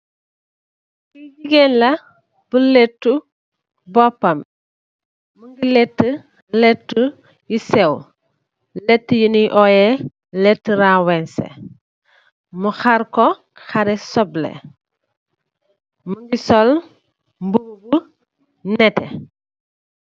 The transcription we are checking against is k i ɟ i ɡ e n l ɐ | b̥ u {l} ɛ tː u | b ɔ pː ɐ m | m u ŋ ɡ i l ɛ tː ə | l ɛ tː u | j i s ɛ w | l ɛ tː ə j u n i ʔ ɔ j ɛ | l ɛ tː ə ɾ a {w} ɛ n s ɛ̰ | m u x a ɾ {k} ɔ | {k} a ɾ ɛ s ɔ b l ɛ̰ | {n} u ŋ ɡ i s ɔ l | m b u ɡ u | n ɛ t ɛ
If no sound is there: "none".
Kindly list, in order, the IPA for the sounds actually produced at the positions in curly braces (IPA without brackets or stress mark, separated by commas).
l, w, k, x, m